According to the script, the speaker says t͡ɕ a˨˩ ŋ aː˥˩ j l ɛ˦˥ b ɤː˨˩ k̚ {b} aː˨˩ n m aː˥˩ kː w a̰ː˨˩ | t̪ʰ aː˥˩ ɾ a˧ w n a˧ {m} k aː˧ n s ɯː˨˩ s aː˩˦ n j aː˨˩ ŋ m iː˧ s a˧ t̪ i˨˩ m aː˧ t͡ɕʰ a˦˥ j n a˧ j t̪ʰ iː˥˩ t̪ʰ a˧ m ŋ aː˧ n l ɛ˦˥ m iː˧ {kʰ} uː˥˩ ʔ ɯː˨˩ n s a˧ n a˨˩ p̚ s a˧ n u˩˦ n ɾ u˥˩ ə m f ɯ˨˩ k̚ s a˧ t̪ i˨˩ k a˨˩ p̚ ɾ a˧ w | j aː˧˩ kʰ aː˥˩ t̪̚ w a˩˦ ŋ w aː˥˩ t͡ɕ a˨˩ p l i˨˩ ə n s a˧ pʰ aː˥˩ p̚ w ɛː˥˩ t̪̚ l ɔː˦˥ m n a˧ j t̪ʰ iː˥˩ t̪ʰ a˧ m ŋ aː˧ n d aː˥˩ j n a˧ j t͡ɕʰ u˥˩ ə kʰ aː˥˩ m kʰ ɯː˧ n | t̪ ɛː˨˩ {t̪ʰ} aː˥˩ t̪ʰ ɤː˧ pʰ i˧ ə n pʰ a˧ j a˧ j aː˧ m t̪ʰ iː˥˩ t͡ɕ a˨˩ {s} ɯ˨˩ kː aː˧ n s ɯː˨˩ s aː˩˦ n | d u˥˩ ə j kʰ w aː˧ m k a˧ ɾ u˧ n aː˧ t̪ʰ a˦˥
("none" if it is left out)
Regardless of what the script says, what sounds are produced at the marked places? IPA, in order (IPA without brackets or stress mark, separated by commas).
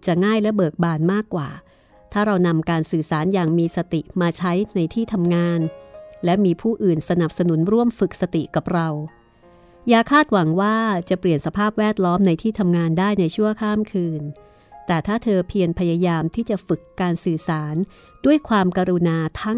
b, m, pʰ, t̪ʰ, f